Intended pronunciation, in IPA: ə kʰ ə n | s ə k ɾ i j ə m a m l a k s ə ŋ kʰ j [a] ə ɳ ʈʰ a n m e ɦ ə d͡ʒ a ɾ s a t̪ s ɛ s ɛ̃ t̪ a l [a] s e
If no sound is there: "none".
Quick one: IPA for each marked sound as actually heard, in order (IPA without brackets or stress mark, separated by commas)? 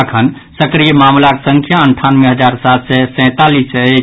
a, i